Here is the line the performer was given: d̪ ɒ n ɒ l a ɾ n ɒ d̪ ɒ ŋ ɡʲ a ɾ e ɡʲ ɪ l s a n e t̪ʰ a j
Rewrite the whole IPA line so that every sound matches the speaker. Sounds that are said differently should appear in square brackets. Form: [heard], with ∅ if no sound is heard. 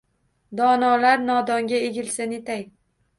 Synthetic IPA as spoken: d̪ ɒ n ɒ l a ɾ n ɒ d̪ ɒ ŋ ɡʲ a [∅] e ɡʲ ɪ l s a n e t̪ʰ a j